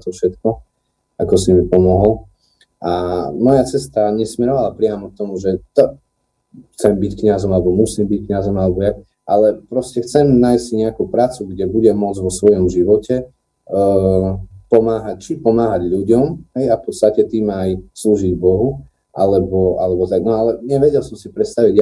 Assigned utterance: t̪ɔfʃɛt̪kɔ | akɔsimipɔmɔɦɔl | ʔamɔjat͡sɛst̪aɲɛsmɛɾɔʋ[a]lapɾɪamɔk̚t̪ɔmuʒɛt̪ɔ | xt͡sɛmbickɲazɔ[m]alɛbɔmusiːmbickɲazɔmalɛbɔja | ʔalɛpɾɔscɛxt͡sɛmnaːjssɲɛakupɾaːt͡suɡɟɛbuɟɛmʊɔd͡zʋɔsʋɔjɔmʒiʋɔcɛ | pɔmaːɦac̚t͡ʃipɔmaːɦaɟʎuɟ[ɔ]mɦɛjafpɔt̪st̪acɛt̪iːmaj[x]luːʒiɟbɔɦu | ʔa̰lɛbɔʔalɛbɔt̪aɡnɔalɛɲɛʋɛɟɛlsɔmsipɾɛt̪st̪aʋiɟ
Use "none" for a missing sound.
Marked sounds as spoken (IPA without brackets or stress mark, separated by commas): a, m, ɔ, s